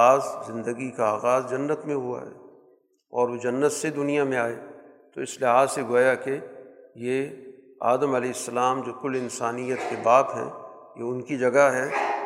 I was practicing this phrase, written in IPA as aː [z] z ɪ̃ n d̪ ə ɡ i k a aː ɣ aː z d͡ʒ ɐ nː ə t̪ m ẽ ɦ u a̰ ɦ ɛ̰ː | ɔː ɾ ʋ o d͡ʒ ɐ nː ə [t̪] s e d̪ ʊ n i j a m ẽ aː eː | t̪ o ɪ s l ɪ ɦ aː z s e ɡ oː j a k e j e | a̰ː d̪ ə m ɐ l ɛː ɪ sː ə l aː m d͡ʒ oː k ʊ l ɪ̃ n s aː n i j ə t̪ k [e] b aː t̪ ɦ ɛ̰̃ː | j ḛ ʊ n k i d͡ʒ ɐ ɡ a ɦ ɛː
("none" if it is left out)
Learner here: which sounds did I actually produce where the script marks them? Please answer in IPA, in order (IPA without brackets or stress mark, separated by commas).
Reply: z, t̪, e